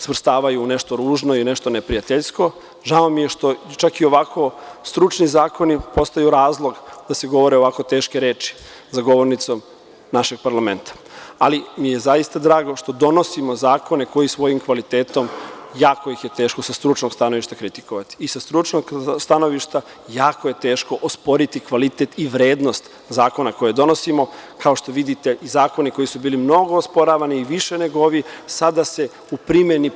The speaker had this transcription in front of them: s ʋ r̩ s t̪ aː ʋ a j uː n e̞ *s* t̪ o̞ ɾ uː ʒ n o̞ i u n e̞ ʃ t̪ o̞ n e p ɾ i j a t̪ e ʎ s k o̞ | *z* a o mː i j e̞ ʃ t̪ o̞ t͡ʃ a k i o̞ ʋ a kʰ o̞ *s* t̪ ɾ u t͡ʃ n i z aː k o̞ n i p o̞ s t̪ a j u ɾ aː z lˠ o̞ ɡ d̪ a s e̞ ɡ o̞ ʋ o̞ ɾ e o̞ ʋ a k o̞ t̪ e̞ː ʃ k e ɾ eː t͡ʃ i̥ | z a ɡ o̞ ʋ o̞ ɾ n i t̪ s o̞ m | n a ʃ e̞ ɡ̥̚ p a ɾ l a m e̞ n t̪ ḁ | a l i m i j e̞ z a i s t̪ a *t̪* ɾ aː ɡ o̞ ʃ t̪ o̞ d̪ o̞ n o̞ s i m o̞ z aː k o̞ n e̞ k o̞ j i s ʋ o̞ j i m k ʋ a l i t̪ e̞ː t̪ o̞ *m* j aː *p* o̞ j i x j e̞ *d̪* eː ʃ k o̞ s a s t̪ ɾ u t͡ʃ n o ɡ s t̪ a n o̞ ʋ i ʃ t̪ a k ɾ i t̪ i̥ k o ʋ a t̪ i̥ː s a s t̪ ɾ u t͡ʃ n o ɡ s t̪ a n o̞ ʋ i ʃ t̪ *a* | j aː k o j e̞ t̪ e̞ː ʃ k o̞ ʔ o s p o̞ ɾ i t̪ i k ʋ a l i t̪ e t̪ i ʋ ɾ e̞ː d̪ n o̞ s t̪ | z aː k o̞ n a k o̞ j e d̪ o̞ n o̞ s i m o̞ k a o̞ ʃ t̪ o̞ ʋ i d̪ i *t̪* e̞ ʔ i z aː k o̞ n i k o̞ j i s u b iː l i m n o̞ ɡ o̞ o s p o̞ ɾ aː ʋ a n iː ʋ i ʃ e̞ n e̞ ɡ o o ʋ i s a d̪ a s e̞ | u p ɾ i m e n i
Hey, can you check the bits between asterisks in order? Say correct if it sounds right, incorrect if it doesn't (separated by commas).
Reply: incorrect, incorrect, correct, incorrect, correct, incorrect, incorrect, correct, correct